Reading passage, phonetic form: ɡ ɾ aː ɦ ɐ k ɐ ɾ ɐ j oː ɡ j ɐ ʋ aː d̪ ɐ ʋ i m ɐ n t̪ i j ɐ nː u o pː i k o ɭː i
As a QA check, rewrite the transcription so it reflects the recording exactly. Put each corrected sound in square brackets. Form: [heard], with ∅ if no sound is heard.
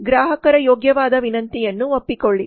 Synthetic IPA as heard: ɡ ɾ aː ɦ ɐ k ɐ ɾ ɐ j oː ɡ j ɐ ʋ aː d̪ ɐ ʋ i [n] ɐ n t̪ i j ɐ nː u o pː i k o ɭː i